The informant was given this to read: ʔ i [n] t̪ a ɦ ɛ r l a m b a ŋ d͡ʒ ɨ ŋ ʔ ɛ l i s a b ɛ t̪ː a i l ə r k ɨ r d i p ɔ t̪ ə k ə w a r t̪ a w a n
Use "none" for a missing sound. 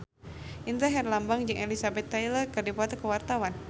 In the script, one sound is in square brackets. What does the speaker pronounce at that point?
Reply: n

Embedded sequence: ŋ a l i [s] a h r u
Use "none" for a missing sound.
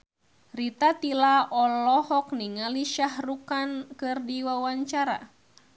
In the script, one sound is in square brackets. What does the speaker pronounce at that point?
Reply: ʃ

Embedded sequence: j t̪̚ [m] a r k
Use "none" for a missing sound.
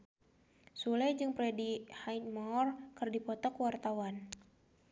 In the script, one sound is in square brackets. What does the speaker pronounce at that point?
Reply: m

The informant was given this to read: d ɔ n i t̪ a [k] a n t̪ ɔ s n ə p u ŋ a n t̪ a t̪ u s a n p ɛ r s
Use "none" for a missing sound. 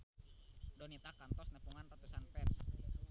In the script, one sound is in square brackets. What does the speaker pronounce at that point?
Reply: k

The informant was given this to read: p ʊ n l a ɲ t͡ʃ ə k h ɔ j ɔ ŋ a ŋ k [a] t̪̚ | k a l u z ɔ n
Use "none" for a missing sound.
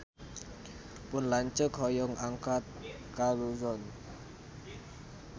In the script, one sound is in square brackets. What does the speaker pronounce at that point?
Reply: a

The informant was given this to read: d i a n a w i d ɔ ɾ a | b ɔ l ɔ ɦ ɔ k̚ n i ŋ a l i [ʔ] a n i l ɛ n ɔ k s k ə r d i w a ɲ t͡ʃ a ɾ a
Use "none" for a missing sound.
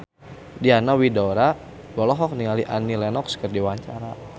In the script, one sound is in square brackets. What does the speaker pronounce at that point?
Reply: ʔ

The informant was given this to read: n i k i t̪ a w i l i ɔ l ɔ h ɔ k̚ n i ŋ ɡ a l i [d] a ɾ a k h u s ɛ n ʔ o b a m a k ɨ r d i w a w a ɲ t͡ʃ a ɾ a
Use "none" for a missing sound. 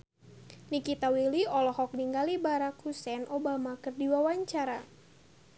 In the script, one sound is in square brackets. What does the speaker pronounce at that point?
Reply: b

